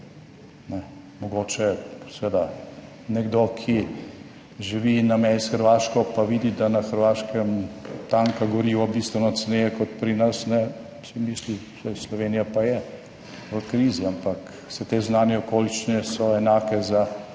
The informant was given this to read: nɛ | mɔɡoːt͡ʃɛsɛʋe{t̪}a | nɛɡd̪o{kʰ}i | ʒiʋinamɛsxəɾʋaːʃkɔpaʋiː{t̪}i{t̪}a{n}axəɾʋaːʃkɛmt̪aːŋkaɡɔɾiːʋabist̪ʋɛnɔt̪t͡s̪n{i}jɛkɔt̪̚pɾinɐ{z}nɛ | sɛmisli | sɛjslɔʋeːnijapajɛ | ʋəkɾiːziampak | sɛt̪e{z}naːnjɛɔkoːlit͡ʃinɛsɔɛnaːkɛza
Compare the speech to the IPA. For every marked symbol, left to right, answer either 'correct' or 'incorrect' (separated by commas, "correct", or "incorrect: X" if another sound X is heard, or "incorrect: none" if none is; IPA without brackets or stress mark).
incorrect: d̪, correct, incorrect: d̪, incorrect: d̪, correct, incorrect: e, incorrect: s, correct